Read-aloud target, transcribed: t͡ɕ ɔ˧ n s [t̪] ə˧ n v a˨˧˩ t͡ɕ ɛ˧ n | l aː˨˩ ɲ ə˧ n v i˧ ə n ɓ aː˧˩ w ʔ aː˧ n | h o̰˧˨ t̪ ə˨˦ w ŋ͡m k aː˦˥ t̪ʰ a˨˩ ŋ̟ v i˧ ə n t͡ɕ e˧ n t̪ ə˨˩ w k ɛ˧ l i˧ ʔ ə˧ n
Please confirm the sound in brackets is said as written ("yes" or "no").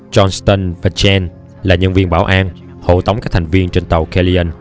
yes